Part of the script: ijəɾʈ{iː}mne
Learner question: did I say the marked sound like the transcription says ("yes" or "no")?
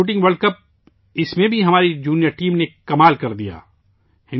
yes